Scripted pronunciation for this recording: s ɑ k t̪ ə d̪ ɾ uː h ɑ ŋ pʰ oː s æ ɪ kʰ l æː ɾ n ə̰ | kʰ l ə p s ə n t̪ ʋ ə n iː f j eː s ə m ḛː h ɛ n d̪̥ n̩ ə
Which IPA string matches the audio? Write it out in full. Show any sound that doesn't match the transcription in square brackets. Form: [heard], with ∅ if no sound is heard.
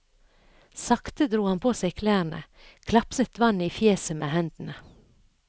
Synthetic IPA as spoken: s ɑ k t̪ ə d̪ ɾ uː h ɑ [n] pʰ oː s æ ɪ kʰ l æː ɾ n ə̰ | kʰ l [ɑ] p s ə [∅] t̪ ʋ [ɑ] n iː f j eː s ə m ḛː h ɛ n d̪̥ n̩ ə